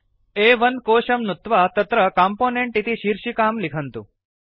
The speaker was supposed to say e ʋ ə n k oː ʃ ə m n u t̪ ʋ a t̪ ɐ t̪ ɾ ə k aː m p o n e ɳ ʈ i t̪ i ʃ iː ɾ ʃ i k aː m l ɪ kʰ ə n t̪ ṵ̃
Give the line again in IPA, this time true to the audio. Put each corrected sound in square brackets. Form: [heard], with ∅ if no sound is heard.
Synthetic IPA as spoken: e ʋ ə n k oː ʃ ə m n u t̪ ʋ a t̪ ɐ t̪ ɾ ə k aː m p o n e ɳ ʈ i t̪ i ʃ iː ɾ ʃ i k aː m l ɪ kʰ ə n t̪ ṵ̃